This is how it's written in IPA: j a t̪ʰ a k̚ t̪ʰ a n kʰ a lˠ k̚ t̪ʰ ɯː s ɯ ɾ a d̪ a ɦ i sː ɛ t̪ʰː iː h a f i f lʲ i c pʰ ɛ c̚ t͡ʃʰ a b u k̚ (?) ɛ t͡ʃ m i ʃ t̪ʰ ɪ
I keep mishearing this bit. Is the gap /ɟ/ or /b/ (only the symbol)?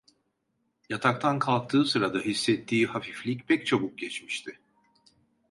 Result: ɟ